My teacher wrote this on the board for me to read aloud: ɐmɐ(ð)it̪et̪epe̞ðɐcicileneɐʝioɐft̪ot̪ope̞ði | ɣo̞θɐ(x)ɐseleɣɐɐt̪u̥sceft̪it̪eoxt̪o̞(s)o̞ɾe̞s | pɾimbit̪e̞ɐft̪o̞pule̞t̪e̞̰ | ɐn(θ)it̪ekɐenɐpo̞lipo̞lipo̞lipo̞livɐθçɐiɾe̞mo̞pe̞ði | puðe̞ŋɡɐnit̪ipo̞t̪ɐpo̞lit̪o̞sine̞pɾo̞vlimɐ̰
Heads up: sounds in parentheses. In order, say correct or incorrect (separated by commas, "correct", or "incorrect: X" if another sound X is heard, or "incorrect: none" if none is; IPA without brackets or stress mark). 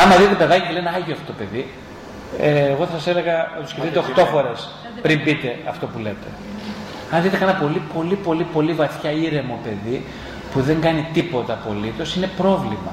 correct, incorrect: s, incorrect: f, incorrect: ð